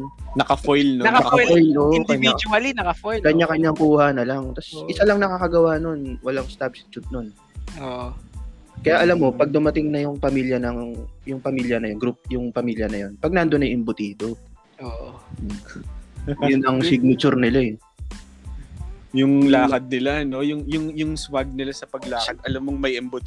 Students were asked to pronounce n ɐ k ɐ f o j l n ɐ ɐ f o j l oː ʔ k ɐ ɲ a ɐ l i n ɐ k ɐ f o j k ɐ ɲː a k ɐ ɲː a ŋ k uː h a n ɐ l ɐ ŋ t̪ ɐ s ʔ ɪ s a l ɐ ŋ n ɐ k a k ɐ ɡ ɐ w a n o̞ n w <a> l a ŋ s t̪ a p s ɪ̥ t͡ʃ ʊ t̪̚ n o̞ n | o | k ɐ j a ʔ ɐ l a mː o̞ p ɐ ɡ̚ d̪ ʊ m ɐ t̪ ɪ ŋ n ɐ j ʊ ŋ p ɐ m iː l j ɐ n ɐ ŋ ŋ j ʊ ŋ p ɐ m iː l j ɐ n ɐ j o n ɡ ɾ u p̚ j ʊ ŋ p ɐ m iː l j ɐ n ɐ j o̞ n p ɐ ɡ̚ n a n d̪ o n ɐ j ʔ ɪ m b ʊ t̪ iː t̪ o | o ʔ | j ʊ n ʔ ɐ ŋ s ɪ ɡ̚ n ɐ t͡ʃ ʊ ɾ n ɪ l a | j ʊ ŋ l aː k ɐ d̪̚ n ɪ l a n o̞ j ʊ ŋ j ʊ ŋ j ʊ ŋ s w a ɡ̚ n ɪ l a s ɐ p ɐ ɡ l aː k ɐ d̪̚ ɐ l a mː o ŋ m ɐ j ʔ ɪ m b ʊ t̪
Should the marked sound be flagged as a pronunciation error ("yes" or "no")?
yes